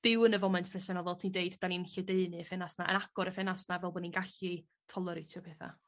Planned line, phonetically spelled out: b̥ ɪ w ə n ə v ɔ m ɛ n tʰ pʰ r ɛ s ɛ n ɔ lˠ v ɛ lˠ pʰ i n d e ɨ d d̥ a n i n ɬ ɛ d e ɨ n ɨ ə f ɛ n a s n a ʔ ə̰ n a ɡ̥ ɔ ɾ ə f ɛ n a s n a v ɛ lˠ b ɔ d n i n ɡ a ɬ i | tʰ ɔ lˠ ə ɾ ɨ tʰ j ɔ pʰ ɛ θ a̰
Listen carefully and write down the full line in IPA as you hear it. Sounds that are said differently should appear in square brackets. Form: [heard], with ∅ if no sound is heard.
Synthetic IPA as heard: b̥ ɪ w ə n ə v ɔ m ɛ n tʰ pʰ r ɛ s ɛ n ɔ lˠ v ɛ lˠ [tʰ] i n d e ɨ d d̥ a n i n ɬ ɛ d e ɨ n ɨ ə f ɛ n a s n a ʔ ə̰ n a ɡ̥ ɔ ɾ ə f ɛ n a s n a v ɛ lˠ b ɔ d n i n ɡ a ɬ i | tʰ ɔ lˠ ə ɾ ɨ tʰ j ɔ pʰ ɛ θ a̰